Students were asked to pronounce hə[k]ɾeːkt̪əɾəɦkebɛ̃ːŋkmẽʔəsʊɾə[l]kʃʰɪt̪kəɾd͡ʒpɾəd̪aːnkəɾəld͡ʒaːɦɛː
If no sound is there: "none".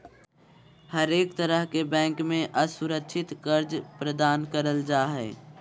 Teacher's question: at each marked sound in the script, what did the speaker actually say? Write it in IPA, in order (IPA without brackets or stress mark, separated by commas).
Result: none, none